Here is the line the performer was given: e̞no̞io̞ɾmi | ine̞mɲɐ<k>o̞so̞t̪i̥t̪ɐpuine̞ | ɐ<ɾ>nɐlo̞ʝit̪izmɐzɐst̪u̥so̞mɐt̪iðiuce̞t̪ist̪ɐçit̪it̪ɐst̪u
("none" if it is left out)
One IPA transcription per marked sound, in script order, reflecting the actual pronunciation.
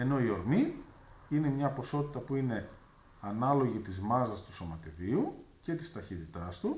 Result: p, none

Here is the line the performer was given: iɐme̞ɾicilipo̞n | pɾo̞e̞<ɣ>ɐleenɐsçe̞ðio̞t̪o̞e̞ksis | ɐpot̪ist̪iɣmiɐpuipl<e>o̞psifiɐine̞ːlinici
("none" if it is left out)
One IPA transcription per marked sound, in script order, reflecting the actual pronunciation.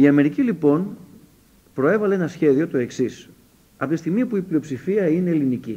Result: v, i

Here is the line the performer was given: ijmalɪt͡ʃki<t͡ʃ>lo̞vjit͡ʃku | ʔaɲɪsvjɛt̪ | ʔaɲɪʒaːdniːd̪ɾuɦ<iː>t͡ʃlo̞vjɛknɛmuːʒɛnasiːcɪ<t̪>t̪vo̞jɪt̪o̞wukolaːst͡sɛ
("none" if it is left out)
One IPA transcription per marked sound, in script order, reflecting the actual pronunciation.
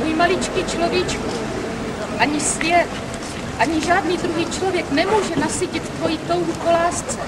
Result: t͡ʃ, iː, t̪

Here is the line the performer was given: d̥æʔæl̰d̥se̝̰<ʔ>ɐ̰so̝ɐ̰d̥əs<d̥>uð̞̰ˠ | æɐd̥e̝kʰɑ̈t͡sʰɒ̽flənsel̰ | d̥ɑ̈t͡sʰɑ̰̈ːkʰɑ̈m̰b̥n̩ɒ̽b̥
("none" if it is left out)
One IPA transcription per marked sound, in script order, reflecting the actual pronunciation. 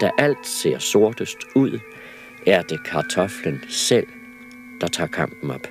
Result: none, d̥

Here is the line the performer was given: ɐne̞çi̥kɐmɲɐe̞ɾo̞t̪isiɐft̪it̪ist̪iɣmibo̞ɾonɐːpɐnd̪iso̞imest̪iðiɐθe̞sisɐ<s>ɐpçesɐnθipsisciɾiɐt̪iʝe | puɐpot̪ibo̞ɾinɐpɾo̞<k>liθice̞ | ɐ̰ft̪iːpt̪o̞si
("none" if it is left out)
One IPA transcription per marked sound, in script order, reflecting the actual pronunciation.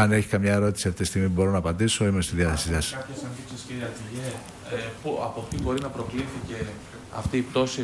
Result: s, k

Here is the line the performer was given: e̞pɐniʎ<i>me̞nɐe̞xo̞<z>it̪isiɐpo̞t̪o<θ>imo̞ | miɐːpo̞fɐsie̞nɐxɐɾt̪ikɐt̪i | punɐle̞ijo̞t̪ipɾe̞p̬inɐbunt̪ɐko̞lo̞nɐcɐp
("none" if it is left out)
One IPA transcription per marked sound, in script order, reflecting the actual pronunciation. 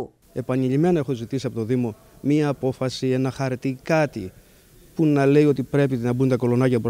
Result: i, z, ð

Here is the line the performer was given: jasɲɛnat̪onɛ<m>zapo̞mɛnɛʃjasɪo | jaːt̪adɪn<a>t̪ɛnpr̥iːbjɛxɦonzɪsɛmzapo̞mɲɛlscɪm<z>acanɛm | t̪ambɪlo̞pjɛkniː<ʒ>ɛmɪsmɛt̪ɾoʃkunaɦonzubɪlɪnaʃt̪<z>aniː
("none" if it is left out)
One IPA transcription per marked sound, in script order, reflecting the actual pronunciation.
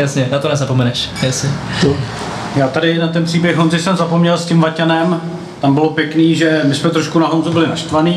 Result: none, a, v, ʒ, v

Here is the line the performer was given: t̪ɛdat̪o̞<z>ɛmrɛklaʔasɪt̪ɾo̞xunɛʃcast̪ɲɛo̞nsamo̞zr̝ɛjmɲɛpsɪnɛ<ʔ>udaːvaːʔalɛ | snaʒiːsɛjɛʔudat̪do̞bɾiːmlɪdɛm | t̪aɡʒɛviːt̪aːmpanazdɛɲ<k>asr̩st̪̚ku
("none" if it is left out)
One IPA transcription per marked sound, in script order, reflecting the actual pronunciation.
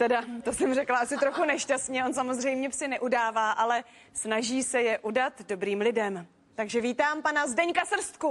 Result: s, ʔ, k

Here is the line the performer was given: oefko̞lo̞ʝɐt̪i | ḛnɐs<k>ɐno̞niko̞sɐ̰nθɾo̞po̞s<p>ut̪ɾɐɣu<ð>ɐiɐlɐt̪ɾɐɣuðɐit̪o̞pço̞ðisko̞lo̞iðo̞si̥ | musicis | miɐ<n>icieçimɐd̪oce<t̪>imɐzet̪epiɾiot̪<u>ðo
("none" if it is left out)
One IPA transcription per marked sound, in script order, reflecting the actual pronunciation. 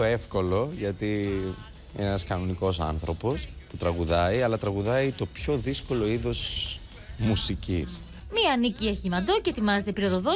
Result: k, p, ð, n, t̪, o

